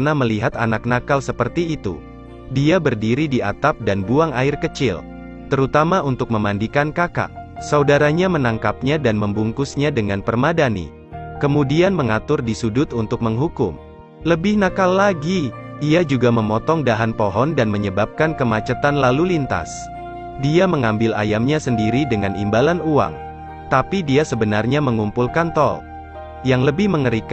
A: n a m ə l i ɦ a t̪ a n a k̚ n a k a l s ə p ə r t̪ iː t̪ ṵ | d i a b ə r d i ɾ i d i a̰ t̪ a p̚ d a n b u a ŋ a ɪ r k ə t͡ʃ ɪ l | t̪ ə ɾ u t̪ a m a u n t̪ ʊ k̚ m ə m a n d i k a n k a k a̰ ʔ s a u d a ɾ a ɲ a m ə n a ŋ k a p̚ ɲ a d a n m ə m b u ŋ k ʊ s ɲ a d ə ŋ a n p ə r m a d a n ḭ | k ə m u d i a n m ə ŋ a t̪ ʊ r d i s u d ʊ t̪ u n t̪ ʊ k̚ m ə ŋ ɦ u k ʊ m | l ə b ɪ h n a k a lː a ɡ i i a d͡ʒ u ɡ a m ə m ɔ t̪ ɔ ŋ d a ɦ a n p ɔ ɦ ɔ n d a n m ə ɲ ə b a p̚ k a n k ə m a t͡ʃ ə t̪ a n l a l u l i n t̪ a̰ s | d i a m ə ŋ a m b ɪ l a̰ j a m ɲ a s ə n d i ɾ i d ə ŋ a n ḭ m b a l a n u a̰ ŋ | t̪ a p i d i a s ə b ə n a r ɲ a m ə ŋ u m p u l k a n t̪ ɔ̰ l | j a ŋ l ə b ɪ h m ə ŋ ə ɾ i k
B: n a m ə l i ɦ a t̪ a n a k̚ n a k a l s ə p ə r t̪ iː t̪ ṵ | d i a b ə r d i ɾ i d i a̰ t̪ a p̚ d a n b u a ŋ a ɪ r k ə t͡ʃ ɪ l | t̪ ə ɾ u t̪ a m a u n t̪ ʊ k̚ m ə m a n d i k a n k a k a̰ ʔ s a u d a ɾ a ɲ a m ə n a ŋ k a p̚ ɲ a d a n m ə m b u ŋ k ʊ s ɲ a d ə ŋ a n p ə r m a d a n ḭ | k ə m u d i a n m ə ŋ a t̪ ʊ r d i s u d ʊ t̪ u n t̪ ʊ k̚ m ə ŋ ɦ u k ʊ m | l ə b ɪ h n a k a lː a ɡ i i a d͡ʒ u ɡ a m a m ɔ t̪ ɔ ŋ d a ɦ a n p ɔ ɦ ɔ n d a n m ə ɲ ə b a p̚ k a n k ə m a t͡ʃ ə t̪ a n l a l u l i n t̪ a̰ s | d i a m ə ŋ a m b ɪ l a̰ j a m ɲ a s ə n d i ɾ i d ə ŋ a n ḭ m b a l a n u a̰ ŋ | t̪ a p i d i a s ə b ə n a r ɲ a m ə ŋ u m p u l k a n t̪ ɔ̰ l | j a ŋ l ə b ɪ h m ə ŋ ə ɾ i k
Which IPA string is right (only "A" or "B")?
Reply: A